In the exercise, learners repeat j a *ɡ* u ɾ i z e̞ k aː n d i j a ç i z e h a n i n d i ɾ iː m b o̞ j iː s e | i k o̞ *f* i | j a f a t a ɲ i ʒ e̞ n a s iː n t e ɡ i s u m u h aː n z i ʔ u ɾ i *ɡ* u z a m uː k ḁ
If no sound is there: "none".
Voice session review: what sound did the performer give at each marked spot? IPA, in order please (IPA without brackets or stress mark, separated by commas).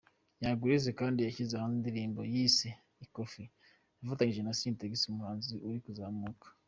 ɡ, f, k